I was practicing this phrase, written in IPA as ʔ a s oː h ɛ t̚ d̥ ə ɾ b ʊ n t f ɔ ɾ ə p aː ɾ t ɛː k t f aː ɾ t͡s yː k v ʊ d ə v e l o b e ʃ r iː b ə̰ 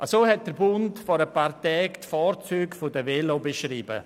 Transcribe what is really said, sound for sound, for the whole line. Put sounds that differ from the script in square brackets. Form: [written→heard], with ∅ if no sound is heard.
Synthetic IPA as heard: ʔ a s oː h ɛ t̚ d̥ ə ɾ b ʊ n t f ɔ ɾ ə p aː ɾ t ɛː k t f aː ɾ t͡s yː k [v→f] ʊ d ə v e l o b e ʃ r iː b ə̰